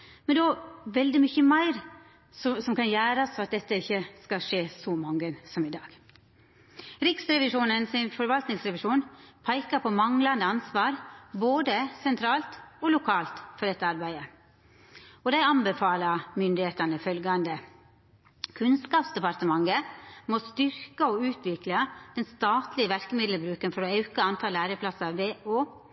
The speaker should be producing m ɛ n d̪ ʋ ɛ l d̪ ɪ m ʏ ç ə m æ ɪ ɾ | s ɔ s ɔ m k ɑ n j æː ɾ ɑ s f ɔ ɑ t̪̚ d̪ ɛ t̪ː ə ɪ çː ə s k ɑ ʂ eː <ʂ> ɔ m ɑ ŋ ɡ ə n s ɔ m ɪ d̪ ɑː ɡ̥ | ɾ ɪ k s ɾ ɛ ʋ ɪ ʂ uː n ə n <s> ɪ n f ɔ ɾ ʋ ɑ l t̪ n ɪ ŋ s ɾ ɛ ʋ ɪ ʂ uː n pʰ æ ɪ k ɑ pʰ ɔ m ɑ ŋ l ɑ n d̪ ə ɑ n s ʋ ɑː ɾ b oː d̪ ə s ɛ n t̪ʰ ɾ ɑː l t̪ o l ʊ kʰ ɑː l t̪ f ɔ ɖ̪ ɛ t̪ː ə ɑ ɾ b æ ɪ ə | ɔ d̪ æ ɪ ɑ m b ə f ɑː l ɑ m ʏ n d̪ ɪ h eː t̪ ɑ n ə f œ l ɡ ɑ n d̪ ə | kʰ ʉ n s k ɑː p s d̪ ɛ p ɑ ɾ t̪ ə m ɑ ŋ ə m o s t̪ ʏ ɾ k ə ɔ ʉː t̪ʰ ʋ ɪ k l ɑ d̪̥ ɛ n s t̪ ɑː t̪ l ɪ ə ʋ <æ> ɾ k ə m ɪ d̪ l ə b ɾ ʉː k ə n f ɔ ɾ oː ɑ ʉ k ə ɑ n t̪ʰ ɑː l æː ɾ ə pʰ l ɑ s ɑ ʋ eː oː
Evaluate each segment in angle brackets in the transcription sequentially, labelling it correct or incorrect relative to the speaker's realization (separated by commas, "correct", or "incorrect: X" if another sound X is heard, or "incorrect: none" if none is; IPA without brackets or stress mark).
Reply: incorrect: s, correct, correct